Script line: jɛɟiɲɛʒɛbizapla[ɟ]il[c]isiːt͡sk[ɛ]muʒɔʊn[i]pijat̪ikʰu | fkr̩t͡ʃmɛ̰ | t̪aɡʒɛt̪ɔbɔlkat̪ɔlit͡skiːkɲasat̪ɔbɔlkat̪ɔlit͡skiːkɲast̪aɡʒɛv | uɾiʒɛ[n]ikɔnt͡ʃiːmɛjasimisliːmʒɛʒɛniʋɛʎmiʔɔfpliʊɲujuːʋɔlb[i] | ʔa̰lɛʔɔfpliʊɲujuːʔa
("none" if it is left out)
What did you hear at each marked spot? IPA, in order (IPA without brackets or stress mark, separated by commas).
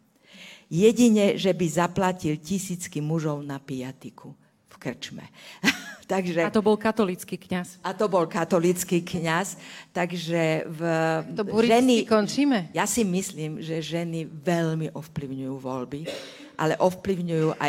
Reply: c, c, i, a, n, i